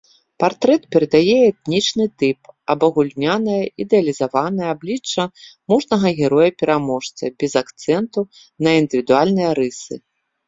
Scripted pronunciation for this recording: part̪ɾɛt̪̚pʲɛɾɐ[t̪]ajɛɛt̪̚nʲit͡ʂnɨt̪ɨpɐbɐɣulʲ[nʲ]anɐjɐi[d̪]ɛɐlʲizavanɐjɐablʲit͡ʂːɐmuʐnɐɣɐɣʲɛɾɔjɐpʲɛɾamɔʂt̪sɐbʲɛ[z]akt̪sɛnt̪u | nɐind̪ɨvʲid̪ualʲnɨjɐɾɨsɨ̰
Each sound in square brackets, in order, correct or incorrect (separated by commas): incorrect, correct, correct, correct